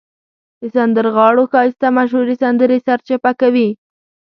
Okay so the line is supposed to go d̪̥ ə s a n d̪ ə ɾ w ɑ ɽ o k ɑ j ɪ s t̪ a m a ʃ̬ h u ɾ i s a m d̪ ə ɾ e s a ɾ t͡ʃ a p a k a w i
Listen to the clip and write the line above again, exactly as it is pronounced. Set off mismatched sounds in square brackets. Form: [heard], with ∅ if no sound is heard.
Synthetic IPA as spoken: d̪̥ ə s a n d̪ ə ɾ [ɣ] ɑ ɽ o [x] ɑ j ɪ s t̪ a m a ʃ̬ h u ɾ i s a [n] d̪ ə ɾ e s a ɾ t͡ʃ a p a k a w i